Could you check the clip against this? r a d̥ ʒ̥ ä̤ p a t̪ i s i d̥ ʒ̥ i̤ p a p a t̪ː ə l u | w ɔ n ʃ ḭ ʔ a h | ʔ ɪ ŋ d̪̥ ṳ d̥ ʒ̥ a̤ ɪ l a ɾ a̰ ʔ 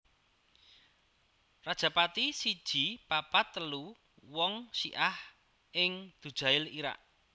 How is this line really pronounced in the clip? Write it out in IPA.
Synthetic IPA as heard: r a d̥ ʒ̥ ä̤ p a t̪ i s i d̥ ʒ̥ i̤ p a p a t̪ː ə l u | w ɔ ŋ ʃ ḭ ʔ a h | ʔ ɪ ŋ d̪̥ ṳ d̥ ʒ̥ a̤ ɪ l i ɾ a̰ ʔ